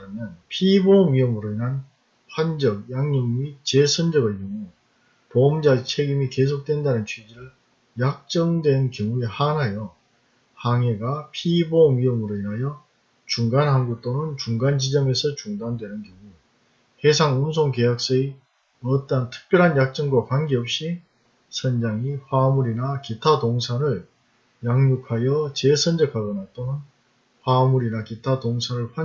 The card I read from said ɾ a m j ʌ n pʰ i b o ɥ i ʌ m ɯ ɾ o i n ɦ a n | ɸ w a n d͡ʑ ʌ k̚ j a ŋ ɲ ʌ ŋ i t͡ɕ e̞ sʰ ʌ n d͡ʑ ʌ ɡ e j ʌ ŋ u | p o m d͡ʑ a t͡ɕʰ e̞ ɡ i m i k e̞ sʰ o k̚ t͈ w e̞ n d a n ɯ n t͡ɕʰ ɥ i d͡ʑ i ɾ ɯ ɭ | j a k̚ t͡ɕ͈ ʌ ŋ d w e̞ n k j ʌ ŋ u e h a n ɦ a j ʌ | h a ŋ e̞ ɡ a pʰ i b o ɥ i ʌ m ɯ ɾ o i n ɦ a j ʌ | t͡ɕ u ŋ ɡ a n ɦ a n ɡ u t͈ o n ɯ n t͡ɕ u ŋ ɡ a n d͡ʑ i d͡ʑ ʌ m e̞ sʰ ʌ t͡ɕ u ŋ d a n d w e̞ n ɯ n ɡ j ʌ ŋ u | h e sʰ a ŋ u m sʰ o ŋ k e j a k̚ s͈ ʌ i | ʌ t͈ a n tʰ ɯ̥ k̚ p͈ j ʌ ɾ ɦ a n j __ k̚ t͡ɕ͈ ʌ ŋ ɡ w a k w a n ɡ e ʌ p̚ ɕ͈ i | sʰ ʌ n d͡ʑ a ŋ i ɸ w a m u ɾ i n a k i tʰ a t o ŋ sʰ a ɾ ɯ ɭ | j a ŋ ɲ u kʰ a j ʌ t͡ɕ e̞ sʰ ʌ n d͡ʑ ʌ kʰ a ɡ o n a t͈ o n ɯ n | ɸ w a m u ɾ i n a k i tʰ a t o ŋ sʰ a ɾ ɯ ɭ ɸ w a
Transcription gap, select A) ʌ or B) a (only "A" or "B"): B